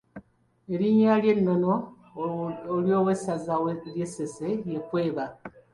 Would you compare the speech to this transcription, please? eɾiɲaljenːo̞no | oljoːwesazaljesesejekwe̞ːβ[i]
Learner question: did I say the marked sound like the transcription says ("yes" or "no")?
no